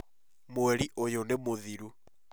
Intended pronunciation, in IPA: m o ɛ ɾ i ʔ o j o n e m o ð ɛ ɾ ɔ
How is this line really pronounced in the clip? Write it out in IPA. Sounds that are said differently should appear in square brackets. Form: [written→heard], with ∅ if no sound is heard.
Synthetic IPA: m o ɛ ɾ i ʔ o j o n e m o ð [ɛ→i] ɾ [ɔ→u]